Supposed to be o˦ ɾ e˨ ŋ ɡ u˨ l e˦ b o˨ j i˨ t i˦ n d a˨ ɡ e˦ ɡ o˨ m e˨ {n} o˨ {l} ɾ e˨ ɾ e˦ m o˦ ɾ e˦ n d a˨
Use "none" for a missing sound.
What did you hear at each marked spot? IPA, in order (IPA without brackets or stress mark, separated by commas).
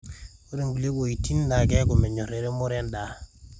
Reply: ɲ, none